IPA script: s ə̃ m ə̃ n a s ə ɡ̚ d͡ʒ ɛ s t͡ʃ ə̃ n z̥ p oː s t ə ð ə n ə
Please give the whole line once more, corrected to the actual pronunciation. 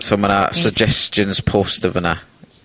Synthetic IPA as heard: s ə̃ m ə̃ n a s ə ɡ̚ d͡ʒ ɛ s t͡ʃ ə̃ n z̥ pʰ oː s t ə v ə n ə